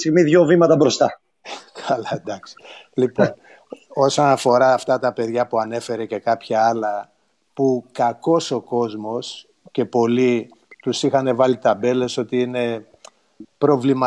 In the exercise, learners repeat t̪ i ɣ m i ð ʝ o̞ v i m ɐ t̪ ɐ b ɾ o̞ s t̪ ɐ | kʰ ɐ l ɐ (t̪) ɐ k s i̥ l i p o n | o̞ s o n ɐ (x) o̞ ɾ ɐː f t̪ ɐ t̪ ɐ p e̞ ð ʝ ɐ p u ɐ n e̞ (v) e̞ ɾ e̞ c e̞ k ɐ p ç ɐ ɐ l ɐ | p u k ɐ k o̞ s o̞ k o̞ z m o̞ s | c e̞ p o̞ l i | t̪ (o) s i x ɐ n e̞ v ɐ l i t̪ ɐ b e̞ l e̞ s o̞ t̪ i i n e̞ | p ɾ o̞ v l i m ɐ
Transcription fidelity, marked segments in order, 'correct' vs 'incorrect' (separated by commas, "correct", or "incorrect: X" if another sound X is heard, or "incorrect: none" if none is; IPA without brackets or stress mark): incorrect: d̪, incorrect: f, incorrect: f, incorrect: u